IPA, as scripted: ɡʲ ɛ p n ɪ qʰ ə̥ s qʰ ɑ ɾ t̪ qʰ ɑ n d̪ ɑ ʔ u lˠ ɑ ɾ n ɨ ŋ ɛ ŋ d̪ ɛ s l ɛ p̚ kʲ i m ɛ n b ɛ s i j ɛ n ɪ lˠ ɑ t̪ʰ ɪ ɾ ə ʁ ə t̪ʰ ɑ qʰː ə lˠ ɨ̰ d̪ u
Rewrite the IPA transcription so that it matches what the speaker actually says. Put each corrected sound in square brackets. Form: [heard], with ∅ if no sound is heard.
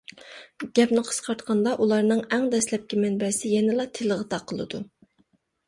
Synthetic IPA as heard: ɡʲ ɛ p n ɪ qʰ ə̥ s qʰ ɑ ɾ t̪ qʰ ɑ n d̪ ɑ ʔ u lˠ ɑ ɾ n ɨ ŋ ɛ ŋ d̪ ɛ s l ɛ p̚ kʲ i m ɛ n b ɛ s [ɪ] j ɛ n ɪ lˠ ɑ t̪ʰ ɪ [l] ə ʁ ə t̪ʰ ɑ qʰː ə lˠ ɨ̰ d̪ u